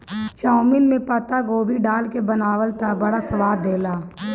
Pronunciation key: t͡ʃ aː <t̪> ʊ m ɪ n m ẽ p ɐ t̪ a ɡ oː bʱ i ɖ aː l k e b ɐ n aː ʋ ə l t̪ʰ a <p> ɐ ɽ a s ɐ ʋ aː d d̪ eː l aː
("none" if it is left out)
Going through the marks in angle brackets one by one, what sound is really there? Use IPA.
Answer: none, b

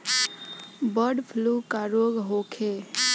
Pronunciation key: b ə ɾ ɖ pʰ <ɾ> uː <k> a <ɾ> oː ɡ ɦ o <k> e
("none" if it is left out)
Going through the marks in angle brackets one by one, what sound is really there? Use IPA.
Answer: l, k, ɾ, kʰ

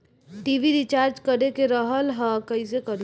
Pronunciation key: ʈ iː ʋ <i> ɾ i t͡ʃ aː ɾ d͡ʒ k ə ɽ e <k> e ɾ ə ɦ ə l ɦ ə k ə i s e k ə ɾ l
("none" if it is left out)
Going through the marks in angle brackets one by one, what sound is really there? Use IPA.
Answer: i, k

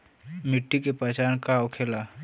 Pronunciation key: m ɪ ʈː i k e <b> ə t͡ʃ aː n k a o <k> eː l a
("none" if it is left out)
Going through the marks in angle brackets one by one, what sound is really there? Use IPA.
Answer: p, kʰ

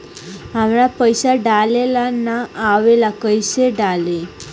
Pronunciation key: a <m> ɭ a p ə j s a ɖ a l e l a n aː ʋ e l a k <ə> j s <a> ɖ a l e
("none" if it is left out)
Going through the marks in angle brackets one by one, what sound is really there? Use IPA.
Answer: m, ə, e

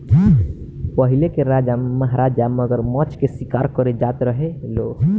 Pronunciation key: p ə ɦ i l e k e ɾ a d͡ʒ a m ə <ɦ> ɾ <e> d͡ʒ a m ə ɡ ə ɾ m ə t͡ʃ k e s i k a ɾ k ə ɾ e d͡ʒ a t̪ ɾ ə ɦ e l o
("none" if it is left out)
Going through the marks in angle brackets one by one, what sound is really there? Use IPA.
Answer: ɦ, a

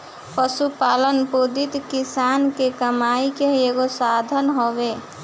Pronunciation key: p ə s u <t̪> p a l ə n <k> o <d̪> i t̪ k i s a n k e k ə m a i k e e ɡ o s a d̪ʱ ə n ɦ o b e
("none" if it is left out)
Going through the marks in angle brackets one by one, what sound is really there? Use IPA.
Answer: none, p, d̪

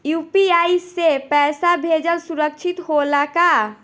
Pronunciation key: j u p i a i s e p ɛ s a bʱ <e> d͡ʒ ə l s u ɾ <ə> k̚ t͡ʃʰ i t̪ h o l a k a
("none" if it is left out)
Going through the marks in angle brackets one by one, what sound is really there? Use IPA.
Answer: e, ə

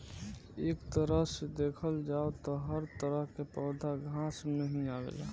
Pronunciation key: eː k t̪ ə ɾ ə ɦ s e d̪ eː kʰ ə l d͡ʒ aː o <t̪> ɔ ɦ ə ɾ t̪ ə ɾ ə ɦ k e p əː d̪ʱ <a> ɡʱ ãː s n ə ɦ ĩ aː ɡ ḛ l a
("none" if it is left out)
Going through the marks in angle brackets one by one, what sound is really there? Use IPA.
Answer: t̪, a

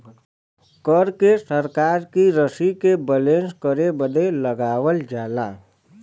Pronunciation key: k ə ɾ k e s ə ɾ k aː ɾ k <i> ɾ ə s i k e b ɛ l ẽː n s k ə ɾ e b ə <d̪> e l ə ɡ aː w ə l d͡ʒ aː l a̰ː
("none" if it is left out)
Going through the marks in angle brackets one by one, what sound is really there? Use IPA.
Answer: i, d̪

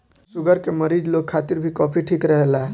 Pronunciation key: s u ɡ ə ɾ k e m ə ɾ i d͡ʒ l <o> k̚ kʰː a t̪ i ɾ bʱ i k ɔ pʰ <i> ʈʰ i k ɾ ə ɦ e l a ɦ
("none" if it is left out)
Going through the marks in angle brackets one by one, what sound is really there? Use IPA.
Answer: o, i

